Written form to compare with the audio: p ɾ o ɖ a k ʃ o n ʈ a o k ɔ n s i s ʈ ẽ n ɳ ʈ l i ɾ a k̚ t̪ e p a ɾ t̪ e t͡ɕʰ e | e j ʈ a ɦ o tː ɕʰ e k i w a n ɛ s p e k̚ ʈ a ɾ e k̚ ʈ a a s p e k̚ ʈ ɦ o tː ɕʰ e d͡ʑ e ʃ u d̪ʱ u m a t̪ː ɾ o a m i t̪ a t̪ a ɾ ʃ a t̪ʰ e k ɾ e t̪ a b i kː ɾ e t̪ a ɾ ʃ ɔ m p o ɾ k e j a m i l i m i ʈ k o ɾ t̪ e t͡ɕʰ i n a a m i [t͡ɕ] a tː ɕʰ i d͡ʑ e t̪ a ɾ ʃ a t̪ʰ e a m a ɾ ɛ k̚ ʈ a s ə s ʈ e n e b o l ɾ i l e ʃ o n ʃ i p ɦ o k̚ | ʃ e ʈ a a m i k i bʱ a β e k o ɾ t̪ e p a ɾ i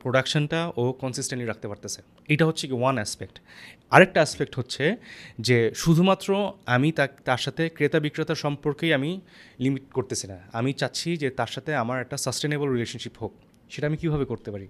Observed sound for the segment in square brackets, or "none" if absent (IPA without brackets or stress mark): t͡ɕ